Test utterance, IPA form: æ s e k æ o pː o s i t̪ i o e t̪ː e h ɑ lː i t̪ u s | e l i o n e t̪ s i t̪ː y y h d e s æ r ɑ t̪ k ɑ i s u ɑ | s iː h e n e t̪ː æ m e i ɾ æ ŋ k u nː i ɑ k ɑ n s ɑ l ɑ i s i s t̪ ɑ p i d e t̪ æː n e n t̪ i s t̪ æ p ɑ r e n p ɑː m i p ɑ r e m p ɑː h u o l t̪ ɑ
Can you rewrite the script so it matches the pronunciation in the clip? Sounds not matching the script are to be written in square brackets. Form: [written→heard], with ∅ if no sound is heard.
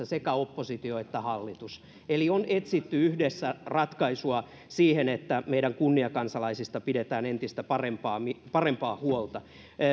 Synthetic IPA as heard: æ s e k æ o pː o s i t̪ i o e t̪ː [e→æ] h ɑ lː i t̪ u s | e l i o n e t̪ s i t̪ː y y h d e [s→sː] æ r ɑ t̪ k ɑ i s u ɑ | s iː h e n e t̪ː æ m e i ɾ æ ŋ k u nː i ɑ k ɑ n s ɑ l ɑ i s i s t̪ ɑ p i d e t̪ æː n e n t̪ i s t̪ æ p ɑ r e [n→m] p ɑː m i p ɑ r e m p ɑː h u o l t̪ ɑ